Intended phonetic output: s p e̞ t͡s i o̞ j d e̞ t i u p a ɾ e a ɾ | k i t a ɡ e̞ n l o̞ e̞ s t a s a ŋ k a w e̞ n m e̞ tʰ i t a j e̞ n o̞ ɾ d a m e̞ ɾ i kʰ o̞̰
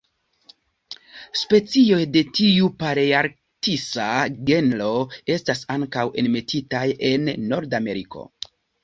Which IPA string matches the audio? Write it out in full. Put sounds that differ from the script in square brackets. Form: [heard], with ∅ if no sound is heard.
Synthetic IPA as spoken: s p e̞ t͡s i o̞ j d e̞ t i u p a ɾ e a ɾ | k i [s] a ɡ e̞ n l o̞ e̞ s t a s a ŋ k a w e̞ n m e̞ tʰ i t a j e̞ [nː] o̞ ɾ d a m e̞ ɾ i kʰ o̞̰